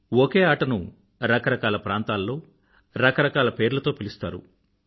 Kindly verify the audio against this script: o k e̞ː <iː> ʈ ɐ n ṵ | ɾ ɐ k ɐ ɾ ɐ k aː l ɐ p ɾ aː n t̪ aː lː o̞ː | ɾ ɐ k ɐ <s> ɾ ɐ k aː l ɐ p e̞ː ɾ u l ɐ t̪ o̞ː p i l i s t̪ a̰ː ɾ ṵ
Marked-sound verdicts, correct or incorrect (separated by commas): incorrect, incorrect